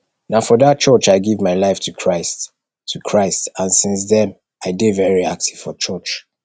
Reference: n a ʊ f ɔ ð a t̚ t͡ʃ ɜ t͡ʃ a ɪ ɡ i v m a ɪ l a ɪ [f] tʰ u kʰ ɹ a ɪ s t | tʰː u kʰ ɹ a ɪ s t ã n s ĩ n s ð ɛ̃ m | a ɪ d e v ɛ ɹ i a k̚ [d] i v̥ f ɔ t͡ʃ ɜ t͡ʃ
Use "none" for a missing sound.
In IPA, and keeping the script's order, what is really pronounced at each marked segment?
f, t

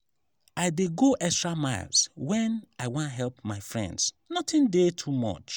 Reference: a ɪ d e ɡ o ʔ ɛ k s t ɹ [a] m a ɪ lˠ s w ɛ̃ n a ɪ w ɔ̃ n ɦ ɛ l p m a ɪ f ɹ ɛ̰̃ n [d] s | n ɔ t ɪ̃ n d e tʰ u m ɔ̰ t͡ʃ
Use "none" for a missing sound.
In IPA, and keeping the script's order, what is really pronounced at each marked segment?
a, d

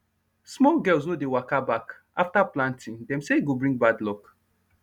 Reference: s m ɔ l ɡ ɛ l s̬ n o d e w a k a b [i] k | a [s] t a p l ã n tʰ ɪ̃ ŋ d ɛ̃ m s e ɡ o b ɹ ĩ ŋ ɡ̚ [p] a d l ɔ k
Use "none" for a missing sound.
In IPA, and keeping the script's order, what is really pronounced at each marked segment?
a, f, b

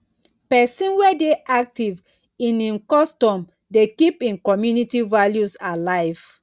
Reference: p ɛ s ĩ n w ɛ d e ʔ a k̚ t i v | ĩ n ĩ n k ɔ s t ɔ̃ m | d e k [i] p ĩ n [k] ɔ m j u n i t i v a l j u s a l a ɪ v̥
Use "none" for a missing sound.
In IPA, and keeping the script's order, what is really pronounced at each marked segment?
i, k

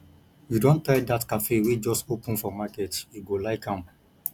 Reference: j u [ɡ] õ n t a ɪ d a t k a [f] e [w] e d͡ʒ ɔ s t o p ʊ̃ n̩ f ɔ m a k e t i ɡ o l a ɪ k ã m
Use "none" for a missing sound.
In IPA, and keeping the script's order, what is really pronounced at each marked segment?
d, f, w

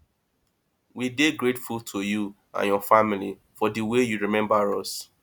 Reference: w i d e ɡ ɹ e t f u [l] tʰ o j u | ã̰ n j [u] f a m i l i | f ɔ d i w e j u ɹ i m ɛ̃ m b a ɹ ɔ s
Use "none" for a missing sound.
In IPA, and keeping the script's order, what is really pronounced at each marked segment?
l, ɔ

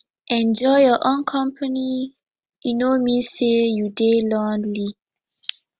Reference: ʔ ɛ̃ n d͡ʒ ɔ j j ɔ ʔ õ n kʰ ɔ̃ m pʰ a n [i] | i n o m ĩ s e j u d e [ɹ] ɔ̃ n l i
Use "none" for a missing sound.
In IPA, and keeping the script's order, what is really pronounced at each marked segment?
i, l

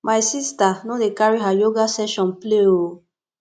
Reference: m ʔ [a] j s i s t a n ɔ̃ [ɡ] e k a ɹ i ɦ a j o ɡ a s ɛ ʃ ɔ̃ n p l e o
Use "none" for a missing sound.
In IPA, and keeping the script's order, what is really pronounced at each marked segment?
a, d

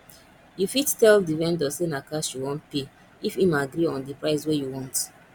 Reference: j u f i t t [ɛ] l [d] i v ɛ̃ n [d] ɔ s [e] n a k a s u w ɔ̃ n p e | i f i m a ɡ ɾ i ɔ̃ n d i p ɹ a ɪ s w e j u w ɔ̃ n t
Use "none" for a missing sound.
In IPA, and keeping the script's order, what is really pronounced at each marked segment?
ɛ, d, d, e

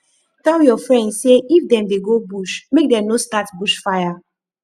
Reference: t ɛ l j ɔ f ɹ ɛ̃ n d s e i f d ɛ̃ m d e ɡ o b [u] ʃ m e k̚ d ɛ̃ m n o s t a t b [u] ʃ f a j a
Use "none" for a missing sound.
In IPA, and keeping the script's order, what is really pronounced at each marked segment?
u, u

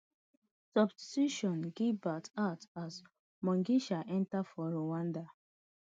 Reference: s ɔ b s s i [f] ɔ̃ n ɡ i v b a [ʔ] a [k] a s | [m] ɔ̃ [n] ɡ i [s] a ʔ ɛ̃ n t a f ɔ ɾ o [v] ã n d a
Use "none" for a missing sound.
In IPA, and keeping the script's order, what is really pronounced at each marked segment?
ʃ, t, t, m, ŋ, ʃ, w

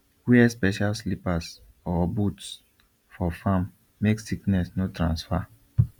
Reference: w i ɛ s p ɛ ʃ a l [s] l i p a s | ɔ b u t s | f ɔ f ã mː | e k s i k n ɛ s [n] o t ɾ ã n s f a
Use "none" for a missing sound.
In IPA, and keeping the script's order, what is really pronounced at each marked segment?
s, n

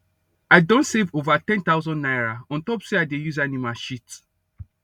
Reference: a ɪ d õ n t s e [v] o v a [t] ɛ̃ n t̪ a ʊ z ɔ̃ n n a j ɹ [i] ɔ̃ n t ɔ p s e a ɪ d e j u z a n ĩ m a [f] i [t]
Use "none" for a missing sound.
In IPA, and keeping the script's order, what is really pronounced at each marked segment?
v, t, a, ʃ, t

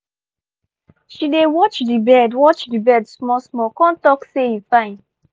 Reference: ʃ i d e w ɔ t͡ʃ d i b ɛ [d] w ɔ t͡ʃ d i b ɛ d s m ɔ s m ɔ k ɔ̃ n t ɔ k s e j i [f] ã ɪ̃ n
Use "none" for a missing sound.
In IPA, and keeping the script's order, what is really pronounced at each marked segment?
d, f

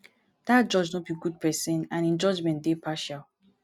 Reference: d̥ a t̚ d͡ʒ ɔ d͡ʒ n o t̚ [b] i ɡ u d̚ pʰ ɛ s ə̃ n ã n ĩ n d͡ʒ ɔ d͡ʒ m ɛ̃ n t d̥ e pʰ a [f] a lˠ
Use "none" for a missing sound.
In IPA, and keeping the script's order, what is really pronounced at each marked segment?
b, ʃ

